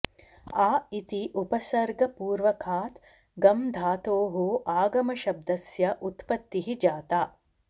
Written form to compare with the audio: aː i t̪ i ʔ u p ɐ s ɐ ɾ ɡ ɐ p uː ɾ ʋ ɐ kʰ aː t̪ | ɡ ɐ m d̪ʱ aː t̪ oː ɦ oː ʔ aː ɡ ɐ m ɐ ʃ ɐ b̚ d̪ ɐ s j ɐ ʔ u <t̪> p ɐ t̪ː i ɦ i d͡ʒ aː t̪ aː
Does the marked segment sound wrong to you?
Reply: no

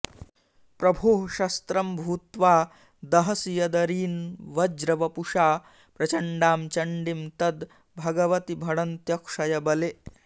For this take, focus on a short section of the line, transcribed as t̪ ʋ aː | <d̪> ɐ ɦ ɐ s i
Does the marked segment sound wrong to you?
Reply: no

